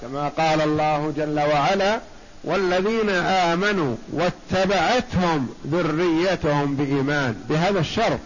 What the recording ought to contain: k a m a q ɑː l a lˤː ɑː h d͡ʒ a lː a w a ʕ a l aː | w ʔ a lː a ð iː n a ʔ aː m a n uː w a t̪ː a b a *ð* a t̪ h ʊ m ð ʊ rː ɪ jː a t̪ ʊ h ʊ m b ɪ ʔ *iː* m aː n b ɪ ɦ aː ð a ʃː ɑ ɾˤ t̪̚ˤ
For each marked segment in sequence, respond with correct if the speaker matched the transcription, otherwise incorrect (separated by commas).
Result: incorrect, correct